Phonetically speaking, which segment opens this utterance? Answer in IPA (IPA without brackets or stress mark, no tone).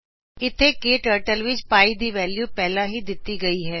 ɪ